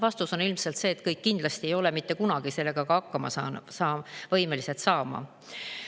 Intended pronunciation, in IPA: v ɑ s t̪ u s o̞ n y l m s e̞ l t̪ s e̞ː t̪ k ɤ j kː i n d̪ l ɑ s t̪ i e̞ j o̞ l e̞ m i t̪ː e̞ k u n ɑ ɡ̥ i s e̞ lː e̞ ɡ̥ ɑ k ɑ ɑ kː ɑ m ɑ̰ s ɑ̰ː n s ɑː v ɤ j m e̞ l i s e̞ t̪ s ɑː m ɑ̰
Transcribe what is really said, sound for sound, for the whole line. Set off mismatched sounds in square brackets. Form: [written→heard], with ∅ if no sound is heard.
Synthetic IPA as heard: v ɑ s t̪ u s o̞ n [y→i] l m s e̞ l t̪ s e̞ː t̪ k ɤ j kː i n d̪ l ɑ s t̪ i e̞ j o̞ l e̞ m i t̪ː e̞ k u n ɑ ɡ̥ i s e̞ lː e̞ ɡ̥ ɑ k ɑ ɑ kː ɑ m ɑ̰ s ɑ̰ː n s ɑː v ɤ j m e̞ l i s e̞ t̪ s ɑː m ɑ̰